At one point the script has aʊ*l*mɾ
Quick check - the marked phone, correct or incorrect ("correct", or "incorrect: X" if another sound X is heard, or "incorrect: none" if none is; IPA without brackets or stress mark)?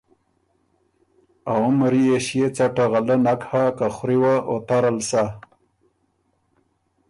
incorrect: none